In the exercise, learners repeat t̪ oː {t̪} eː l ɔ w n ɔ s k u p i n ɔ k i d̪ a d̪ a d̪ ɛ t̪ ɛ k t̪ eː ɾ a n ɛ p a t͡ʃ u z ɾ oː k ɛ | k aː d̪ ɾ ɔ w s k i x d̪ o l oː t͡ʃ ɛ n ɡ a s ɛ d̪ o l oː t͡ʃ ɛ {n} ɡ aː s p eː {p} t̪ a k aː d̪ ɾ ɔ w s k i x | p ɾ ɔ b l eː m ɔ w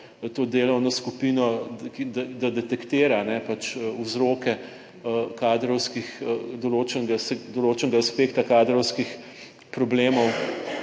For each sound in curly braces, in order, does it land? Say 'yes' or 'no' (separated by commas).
no, yes, no